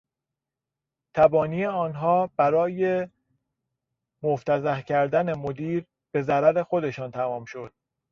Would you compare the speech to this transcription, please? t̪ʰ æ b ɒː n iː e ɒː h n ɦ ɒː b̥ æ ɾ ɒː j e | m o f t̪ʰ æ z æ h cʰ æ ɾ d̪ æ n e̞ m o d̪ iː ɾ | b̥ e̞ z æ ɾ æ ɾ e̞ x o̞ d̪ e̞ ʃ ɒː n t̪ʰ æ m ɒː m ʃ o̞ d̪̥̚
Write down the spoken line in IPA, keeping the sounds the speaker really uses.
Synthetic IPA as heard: t̪ʰ æ b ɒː n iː e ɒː n ɦ ɒː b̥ æ ɾ ɒː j e | m o f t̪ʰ æ z æ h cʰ æ ɾ d̪ æ n e̞ m o d̪ iː ɾ | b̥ e̞ z æ ɾ æ ɾ e̞ x o̞ d̪ e̞ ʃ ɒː n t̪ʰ æ m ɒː m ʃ o̞ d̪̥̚